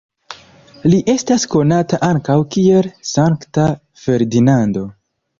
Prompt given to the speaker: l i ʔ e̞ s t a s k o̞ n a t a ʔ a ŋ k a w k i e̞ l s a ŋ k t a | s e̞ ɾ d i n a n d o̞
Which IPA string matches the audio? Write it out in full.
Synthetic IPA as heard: l i ʔ e̞ s t a s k o̞ n a t a ʔ a ŋ k a w k i e̞ l s a ŋ k t a | f e̞ ɾ d i n a n d o̞